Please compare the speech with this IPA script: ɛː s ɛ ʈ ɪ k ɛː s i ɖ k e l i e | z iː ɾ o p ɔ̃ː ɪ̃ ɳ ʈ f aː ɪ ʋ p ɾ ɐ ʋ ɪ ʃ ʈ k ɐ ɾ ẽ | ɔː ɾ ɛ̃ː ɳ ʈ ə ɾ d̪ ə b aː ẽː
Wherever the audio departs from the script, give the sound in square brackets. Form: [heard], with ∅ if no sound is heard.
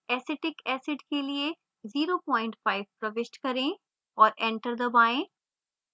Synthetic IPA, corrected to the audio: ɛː s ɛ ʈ ɪ k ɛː s [ɪ] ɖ k e l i e | z iː ɾ o p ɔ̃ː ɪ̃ ɳ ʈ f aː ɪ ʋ p ɾ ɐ ʋ ɪ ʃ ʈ k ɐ ɾ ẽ | ɔː ɾ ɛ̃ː ɳ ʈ ə ɾ d̪ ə b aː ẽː